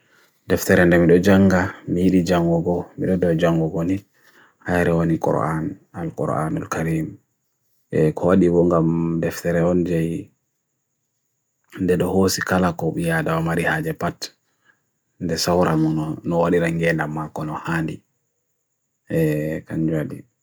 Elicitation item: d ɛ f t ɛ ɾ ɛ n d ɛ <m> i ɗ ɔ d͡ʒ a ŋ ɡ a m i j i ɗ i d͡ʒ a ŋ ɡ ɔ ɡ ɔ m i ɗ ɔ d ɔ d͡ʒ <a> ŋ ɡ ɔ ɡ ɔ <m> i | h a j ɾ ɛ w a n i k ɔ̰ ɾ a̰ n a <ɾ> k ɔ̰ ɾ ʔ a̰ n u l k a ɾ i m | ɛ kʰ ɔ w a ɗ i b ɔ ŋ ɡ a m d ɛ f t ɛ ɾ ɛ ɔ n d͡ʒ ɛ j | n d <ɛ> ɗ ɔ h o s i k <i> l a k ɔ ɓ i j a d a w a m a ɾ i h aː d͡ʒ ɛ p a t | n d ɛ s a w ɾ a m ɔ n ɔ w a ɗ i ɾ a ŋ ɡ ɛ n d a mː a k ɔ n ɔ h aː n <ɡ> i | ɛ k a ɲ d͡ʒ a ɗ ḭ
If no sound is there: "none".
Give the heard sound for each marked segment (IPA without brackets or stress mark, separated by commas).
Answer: m, a, n, l, ɛ, a, d